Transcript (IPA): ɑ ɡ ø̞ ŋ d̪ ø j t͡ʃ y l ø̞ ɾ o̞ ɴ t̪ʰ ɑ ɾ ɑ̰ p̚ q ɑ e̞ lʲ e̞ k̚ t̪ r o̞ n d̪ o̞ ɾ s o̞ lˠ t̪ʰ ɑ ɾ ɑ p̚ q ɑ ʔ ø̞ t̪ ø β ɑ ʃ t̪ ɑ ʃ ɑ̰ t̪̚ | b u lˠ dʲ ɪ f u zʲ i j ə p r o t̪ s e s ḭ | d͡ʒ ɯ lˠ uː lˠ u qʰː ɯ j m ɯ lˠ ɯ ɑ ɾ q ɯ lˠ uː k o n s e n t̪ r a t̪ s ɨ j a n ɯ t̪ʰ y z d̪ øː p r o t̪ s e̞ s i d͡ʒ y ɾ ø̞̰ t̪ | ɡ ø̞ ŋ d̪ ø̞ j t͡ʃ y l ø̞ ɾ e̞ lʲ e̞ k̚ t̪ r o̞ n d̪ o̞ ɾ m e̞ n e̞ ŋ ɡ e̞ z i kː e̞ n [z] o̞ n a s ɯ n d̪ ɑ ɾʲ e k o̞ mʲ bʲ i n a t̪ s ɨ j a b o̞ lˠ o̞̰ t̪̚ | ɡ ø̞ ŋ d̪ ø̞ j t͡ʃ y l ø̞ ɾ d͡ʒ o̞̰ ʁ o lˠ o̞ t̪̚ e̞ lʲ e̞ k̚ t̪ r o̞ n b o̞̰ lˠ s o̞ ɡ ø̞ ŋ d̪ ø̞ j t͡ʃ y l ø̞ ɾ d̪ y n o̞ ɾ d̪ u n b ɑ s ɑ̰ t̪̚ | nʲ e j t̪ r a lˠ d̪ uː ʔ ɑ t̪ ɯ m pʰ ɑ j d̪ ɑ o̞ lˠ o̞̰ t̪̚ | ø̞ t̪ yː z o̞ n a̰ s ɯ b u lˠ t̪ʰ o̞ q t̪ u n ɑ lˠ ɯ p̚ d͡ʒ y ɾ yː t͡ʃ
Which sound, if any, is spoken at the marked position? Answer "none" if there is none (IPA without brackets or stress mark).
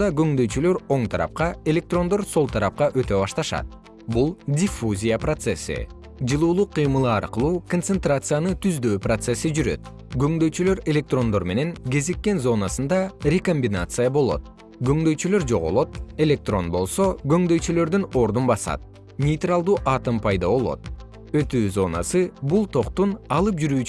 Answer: z